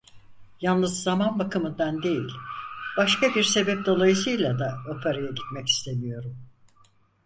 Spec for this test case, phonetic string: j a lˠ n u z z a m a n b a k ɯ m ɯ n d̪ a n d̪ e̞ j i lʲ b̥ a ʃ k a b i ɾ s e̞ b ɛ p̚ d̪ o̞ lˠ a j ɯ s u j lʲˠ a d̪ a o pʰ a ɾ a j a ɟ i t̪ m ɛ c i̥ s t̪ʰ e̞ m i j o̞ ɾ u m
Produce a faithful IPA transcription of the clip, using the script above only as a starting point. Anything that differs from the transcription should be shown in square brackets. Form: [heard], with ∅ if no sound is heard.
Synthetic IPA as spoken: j a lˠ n [ɯ] z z a m a n b a k ɯ m ɯ n d̪ a n d̪ e̞ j i lʲ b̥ a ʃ k a b i ɾ s e̞ b ɛ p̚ d̪ o̞ lˠ a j ɯ s [ɯ] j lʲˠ a d̪ a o pʰ a ɾ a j a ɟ i t̪ m ɛ c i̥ s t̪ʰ e̞ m i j o̞ ɾ u m

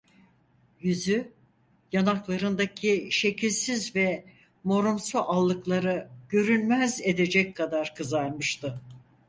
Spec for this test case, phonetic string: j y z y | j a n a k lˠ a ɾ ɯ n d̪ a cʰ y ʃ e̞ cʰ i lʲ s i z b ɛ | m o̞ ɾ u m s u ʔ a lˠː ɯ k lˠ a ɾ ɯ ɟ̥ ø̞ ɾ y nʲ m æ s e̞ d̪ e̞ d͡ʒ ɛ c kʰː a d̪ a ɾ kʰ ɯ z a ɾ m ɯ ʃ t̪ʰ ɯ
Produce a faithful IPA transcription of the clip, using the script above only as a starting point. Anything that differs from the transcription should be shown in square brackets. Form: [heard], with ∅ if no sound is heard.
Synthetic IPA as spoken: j y z y | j a n a k lˠ a ɾ ɯ n d̪ a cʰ [i] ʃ e̞ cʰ i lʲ s i z [v] ɛ | m o̞ ɾ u m s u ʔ a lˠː ɯ k lˠ a ɾ ɯ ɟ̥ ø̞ ɾ y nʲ m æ [z] e̞ d̪ e̞ d͡ʒ ɛ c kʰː a d̪ a ɾ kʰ ɯ z a ɾ m ɯ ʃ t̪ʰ ɯ

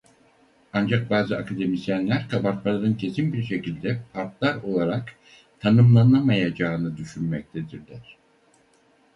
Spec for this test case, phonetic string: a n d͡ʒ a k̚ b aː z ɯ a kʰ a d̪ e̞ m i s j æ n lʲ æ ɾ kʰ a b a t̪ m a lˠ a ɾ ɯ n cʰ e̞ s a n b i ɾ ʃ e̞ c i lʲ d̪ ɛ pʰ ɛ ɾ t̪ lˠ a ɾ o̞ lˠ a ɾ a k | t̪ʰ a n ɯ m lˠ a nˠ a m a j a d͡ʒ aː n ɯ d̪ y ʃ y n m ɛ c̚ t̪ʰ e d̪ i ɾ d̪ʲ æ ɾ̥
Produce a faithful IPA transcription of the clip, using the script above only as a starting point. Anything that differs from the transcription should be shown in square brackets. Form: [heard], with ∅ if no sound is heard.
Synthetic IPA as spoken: a n d͡ʒ a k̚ b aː z ɯ a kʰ a d̪ e̞ m i s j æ n lʲ æ ɾ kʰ a b a t̪ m a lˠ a ɾ ɯ n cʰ e̞ s [i] n b i ɾ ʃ e̞ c i lʲ d̪ ɛ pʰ [a] ɾ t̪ lˠ a ɾ o̞ lˠ a ɾ a k | t̪ʰ a n ɯ m lˠ a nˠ a m a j a d͡ʒ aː n ɯ d̪ y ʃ y n m ɛ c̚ t̪ʰ e d̪ i ɾ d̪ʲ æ ɾ̥

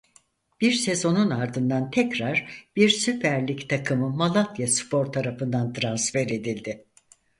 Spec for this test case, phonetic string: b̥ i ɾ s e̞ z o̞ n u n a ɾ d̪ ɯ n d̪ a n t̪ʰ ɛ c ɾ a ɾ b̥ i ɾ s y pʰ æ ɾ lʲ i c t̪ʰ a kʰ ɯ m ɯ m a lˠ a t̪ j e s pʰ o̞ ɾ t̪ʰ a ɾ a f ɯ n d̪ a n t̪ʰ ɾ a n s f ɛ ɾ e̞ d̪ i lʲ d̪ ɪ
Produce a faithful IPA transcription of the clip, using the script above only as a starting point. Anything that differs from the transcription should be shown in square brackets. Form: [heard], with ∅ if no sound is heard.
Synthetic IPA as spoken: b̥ i ɾ s e̞ z o̞ n u n a ɾ d̪ ɯ n d̪ a n t̪ʰ ɛ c ɾ a ɾ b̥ i ɾ s y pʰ æ ɾ lʲ i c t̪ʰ a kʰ ɯ m ɯ m a lˠ a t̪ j [a] s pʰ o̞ ɾ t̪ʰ a ɾ a f ɯ n d̪ a n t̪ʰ ɾ a n s f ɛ ɾ e̞ d̪ i lʲ d̪ ɪ

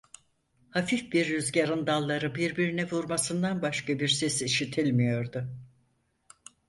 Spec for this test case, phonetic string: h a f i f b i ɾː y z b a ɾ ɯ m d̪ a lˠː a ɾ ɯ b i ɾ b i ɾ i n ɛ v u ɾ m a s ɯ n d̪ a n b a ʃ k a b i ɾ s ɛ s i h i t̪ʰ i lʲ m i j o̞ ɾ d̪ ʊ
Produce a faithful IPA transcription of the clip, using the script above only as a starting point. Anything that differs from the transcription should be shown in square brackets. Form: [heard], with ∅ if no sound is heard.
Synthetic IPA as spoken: h a f i f b i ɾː y z [ɟ] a ɾ ɯ [n] d̪ a lˠː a ɾ ɯ b i ɾ b i ɾ i n ɛ v u ɾ m a s ɯ n d̪ a n b a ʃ k a b i ɾ s ɛ s i [ʃ] i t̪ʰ i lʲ m i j o̞ ɾ d̪ ʊ

